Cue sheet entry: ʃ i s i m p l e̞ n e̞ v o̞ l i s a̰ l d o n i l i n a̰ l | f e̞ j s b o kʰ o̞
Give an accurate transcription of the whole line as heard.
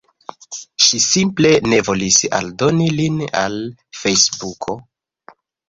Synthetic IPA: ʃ i s i m p l e̞ n e̞ v o̞ l i s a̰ l d o n i l i n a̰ l | f e̞ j s b u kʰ o̞